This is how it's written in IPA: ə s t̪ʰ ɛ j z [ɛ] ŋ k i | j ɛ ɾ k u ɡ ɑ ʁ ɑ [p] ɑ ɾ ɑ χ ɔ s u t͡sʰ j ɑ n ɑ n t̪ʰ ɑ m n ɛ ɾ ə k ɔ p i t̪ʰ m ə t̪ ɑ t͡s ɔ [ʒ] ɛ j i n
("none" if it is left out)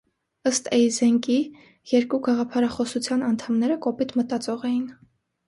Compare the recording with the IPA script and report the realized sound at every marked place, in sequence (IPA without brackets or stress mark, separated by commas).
ɛ, pʰ, ʁ